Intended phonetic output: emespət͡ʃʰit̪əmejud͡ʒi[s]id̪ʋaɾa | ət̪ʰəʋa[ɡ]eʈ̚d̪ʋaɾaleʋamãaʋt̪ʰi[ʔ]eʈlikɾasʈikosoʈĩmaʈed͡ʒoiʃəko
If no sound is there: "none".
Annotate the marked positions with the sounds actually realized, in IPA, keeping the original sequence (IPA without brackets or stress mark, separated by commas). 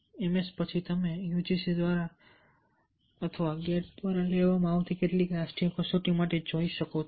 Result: s, ɡ, k